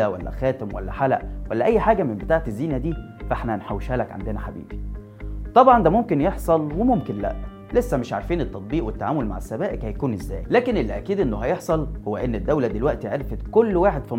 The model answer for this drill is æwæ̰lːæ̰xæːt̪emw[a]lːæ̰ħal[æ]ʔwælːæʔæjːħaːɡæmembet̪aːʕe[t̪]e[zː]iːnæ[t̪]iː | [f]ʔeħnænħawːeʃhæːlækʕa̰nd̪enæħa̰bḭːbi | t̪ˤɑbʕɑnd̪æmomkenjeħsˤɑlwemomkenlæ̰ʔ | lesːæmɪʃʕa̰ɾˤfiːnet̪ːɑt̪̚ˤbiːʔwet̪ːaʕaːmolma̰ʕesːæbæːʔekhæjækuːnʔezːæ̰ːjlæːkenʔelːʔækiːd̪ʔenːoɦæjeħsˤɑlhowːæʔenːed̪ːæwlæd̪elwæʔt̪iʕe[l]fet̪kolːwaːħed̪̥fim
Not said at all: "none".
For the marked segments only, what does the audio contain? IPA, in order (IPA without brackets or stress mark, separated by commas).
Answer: æ, æ, t̪, zː, d̪, f, ɾ